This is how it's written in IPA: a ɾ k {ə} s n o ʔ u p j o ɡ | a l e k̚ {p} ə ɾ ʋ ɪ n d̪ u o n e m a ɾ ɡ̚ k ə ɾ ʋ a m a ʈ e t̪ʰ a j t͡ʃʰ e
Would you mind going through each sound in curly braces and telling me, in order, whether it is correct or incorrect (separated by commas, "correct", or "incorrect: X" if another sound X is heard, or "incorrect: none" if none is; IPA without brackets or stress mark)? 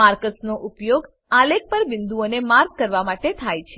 correct, correct